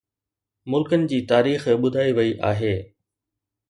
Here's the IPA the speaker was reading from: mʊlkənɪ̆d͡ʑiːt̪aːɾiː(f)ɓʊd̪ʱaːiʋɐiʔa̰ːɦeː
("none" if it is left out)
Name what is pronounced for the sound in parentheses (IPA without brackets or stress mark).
x